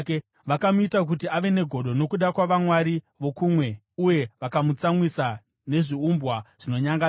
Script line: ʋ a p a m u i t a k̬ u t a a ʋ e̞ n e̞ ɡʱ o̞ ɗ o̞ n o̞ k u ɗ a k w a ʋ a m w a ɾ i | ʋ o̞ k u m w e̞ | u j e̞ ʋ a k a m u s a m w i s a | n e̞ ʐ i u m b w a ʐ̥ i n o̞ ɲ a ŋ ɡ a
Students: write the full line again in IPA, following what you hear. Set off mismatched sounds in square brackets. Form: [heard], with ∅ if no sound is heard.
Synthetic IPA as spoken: ʋ a [k] a m u i t a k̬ u t [i] a ʋ e̞ n e̞ ɡʱ o̞ ɗ o̞ n o̞ k u ɗ a k w a ʋ a m w a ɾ i | ʋ o̞ k u m w e̞ | u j e̞ ʋ a k a m u [t͡s] a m w i s a | n e̞ ʐ i u m b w a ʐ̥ i n o̞ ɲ a ŋ ɡ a

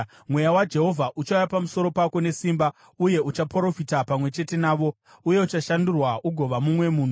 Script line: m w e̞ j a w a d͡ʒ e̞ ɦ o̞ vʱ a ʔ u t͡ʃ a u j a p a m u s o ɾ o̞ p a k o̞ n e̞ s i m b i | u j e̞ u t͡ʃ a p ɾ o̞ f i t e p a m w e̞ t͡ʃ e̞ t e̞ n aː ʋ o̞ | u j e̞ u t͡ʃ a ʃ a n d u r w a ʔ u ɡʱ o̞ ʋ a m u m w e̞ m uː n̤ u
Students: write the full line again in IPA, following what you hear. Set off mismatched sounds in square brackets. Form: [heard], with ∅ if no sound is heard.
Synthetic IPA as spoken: m w e̞ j a w a d͡ʒ e̞ ɦ o̞ vʱ a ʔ u t͡ʃ a u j a p a m u s o ɾ o̞ p a k o̞ n e̞ s i m b [a] | u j e̞ u t͡ʃ a p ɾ o̞ f i t [a] p a m w e̞ t͡ʃ e̞ t e̞ n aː ʋ o̞ | u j e̞ u t͡ʃ a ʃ a n d u r w a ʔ u ɡʱ o̞ ʋ a m u m w e̞ m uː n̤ u

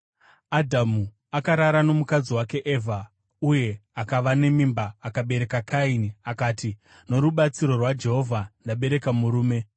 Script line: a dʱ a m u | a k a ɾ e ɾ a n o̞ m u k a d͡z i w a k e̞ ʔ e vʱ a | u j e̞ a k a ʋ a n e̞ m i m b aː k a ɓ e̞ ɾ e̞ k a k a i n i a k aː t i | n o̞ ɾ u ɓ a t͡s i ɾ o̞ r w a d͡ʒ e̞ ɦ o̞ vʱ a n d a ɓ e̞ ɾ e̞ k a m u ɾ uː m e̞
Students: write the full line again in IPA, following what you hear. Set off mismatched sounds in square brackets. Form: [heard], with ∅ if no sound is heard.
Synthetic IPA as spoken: a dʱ a m u | a k a ɾ [a] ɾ a n o̞ m u k a d͡z i w a k e̞ ʔ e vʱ a | u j e̞ a k a ʋ a n e̞ m i m b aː k a ɓ e̞ ɾ e̞ k a k a i n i a k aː t i | n o̞ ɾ u ɓ a t͡s i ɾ o̞ r w a d͡ʒ e̞ ɦ o̞ vʱ a n d a ɓ e̞ ɾ e̞ k a m u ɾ uː m e̞

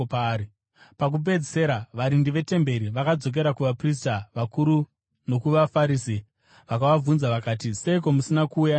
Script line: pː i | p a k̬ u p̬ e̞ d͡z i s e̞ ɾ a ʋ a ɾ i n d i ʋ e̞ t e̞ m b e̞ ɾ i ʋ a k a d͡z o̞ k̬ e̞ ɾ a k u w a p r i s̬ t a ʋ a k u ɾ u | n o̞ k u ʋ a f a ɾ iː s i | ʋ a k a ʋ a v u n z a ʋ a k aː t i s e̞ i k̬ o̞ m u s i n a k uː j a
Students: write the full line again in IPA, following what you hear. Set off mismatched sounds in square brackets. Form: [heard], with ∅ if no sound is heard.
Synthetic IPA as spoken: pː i | p a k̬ u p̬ e̞ d͡z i s e̞ ɾ a ʋ a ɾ i n d i ʋ e̞ t e̞ m b e̞ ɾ i ʋ a k a d͡z o̞ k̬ e̞ ɾ a k u [ʋ] a p r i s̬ t a ʋ a k u ɾ u | n o̞ k u ʋ a f a ɾ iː s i | ʋ a k a ʋ a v u n z a ʋ a k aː t i s e̞ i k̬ o̞ m u s i n a k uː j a

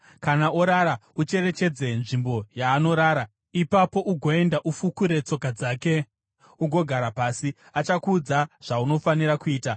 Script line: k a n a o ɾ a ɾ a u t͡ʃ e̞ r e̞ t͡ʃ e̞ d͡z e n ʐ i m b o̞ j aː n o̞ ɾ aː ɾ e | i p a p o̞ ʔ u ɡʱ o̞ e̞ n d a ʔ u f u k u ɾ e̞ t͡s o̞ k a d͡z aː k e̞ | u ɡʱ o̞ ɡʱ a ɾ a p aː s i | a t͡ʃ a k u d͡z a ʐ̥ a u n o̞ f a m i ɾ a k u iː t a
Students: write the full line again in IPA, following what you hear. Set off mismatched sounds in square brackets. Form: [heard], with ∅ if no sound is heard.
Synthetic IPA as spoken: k a n a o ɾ a ɾ a u t͡ʃ e̞ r e̞ t͡ʃ e̞ d͡z e n ʐ i m b o̞ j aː n o̞ ɾ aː ɾ [a] | i p a p o̞ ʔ u ɡʱ o̞ e̞ n d a ʔ u f u k u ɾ e̞ t͡s o̞ k a d͡z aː k e̞ | u ɡʱ o̞ ɡʱ a ɾ a p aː s i | a t͡ʃ a k u d͡z a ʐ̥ a u n o̞ f a [n] i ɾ a k u iː t a

